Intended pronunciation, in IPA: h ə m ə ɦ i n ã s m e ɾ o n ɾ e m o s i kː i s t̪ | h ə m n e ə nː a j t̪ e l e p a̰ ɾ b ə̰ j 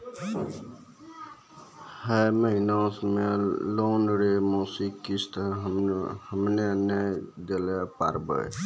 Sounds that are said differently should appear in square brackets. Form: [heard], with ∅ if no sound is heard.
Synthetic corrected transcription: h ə m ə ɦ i n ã s m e [l] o n ɾ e m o s i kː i s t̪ | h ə m n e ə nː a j [d̪] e l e p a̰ ɾ b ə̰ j